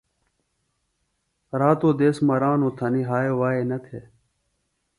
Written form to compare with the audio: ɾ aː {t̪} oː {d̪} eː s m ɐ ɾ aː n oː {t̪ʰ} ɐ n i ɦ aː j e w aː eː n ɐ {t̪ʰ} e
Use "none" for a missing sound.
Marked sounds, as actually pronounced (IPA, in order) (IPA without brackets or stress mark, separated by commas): t̪, d̪, t̪ʰ, t̪ʰ